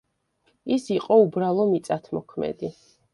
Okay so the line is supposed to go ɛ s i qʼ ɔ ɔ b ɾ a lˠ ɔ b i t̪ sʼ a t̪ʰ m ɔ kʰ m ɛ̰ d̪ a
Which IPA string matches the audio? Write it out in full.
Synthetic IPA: i s i qʼ ɔ u b ɾ a lˠ ɔ m i t̪ sʼ a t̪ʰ m ɔ kʰ m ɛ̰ d̪ i